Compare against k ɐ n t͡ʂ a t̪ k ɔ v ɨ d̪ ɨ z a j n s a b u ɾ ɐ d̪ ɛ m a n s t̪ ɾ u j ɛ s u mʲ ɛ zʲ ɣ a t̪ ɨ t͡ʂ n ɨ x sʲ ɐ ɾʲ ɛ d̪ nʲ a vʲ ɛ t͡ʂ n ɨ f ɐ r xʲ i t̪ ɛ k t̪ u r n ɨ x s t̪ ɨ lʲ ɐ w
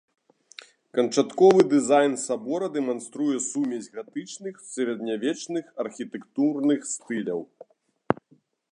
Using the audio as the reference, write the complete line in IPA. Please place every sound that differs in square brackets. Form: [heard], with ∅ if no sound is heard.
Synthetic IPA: k ɐ n t͡ʂ a t̪ k ɔ v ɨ d̪ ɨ z a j n s a b [ɔ] ɾ ɐ d̪ ɛ m a n s t̪ ɾ u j ɛ s u mʲ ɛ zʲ ɣ a t̪ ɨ t͡ʂ n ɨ x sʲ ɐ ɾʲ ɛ d̪ nʲ a vʲ ɛ t͡ʂ n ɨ [x] ɐ r xʲ i t̪ ɛ k t̪ u r n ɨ x s t̪ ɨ lʲ ɐ w